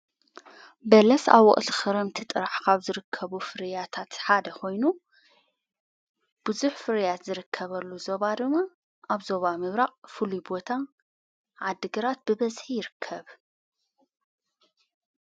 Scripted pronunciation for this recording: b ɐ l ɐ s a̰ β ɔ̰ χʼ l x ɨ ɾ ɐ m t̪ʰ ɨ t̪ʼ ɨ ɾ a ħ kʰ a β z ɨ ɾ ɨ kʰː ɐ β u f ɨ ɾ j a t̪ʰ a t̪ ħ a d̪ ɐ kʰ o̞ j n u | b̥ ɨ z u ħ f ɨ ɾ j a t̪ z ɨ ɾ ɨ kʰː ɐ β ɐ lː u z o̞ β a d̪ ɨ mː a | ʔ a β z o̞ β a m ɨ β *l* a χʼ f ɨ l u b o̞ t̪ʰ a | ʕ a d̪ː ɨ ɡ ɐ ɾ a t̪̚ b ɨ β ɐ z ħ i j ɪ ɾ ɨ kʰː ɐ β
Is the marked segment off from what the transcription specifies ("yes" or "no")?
yes